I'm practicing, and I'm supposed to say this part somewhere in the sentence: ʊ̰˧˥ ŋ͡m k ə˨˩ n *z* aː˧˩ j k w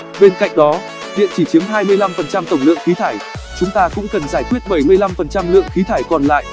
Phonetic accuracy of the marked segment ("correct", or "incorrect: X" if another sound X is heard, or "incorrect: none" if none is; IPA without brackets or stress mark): correct